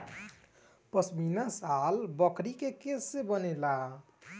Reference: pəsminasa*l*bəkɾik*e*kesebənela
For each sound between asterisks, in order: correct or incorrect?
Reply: correct, correct

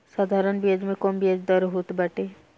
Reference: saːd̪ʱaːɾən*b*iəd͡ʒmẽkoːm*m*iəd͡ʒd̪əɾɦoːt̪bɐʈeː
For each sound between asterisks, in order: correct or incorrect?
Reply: correct, incorrect: b

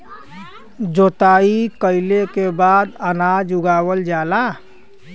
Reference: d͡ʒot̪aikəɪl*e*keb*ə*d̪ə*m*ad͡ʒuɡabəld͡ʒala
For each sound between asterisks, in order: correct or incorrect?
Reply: correct, incorrect: a, incorrect: n

